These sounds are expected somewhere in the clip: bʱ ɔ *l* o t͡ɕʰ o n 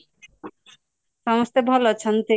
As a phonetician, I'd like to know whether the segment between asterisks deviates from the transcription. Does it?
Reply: no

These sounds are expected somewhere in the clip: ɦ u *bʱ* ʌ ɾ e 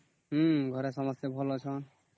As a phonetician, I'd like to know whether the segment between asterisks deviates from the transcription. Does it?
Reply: yes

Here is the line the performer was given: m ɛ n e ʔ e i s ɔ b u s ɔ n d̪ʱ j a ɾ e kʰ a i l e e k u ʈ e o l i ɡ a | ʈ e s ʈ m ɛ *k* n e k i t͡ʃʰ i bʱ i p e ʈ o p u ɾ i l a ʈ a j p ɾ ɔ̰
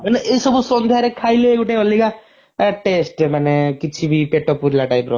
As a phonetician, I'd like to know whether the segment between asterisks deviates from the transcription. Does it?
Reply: yes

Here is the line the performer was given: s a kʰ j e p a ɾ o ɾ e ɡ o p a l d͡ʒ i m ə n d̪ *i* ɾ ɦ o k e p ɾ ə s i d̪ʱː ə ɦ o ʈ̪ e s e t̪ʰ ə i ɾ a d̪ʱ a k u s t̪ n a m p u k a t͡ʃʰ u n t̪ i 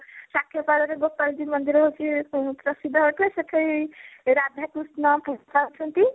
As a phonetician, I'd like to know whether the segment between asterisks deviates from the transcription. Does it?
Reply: no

